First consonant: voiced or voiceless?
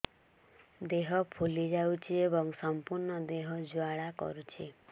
voiced